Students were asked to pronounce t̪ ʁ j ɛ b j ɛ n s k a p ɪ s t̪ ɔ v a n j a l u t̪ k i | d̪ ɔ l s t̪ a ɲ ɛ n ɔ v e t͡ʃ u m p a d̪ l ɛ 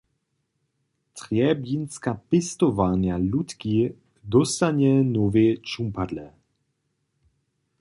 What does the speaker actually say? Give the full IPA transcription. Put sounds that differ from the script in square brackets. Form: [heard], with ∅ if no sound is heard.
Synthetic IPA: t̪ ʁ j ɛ b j [i] n s k a p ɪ s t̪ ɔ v a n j a l u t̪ k i | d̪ ɔ [∅] s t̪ a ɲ ɛ n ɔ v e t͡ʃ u m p a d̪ l ɛ

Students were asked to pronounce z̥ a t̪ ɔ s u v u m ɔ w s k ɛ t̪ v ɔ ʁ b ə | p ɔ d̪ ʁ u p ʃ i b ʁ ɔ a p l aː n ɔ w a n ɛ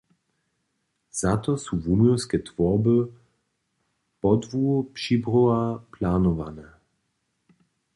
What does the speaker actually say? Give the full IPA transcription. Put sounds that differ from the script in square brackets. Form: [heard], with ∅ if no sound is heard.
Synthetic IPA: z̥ a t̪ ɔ s u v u m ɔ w s k ɛ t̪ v ɔ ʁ b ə | p ɔ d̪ [v] u p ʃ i b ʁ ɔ a p l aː n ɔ [v] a n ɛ

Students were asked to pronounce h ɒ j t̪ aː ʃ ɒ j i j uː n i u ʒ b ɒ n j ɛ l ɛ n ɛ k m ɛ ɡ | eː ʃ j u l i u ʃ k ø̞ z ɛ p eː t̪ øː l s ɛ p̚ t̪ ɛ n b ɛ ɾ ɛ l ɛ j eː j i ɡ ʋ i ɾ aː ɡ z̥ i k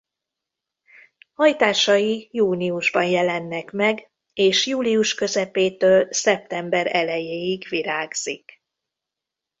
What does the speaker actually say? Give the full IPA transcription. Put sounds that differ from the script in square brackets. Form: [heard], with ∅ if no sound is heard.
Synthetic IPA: h ɒ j t̪ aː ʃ ɒ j i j uː n i u ʒ b ɒ n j ɛ l ɛ [nː] ɛ k m ɛ ɡ | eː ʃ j [uː] l i u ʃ k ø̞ z ɛ p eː t̪ øː l s ɛ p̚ t̪ ɛ [m] b ɛ ɾ ɛ l ɛ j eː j i ɡ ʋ i ɾ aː ɡ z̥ i k

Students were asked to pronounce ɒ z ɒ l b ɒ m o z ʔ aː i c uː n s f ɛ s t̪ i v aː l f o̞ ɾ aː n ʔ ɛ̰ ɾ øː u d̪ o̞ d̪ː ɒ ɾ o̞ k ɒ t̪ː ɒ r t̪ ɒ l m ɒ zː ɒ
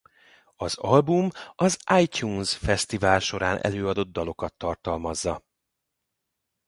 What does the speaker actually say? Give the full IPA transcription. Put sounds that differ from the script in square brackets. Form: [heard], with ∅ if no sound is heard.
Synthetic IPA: ɒ z ɒ l b [u] m [ɒ] z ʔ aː [j] c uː n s f ɛ s t̪ i v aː l [ʃ] o̞ ɾ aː n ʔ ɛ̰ [l] øː [ɒ] d̪ o̞ d̪ː ɒ [l] o̞ k ɒ t̪ː ɒ r t̪ ɒ l m ɒ zː ɒ

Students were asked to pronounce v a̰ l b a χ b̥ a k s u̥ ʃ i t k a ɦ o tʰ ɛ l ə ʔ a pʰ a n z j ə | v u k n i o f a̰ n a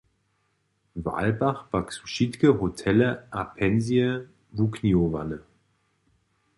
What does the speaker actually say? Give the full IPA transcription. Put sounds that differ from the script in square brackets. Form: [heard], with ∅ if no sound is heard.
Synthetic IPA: v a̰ l b a χ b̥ a k s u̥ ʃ i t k [ə] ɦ o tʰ ɛ l ə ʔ a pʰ [ɛ] n z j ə | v u k n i o [v] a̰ n [ə]

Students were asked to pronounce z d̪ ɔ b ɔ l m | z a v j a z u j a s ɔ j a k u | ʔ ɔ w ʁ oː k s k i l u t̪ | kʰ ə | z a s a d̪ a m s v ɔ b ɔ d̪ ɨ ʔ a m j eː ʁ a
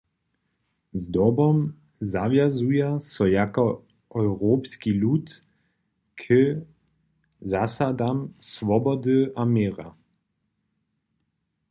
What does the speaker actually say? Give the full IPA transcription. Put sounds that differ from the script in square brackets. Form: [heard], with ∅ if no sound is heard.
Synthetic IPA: z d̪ ɔ b ɔ [∅] m | z a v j a z u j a s ɔ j a k [ɔ] | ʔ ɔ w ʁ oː [p] s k i l u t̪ | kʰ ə | z a s a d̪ a m s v ɔ b ɔ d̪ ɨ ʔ a m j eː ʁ a

